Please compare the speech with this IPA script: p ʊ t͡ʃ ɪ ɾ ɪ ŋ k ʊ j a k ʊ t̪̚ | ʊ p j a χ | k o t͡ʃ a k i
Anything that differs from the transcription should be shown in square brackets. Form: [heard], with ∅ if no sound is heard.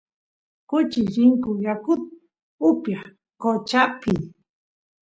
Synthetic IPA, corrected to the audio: [k] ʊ t͡ʃ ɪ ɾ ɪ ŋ k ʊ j a k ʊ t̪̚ | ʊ p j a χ | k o t͡ʃ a [p] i